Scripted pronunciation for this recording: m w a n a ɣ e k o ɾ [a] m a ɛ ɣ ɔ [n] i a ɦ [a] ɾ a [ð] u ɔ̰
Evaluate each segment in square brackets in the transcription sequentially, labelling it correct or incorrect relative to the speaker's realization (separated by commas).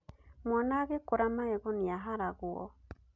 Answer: correct, correct, correct, incorrect